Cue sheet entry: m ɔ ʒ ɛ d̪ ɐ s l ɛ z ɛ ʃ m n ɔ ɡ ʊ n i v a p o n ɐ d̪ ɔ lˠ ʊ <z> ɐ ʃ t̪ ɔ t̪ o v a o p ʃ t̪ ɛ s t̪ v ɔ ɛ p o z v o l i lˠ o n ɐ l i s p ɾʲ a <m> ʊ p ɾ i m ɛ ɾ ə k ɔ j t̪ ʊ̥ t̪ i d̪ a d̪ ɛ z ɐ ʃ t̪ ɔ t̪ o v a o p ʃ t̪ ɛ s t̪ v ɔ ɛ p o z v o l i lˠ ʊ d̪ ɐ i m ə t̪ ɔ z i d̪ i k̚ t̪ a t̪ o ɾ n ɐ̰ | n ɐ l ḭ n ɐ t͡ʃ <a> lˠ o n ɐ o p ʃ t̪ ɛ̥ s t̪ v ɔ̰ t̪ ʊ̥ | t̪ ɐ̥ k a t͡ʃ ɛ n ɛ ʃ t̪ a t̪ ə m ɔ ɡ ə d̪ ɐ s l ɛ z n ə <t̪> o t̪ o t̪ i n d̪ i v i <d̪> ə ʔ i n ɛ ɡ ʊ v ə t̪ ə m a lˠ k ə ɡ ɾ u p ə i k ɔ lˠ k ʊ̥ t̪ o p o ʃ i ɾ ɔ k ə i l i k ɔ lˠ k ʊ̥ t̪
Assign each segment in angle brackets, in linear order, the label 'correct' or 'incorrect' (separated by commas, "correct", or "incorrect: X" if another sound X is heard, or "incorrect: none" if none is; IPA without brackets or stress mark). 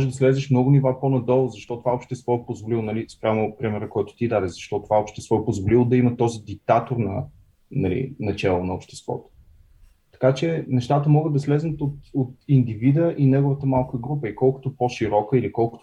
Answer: correct, correct, incorrect: ɛ, correct, correct